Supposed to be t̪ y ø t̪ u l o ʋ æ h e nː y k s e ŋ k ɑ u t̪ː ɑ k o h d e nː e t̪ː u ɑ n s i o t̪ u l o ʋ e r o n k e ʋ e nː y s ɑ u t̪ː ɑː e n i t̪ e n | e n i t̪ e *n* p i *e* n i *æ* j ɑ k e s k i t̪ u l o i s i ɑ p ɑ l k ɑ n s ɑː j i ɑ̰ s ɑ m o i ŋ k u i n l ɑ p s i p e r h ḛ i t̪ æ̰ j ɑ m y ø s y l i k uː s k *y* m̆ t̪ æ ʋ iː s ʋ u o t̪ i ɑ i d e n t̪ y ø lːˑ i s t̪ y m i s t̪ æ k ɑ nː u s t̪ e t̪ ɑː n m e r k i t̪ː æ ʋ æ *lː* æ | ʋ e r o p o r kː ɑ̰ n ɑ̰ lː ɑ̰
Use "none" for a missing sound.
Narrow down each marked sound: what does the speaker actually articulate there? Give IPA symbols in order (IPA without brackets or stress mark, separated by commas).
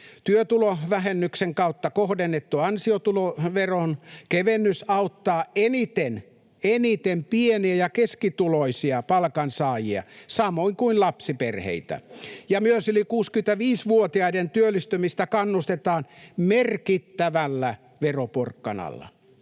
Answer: m, e, æ, y, lː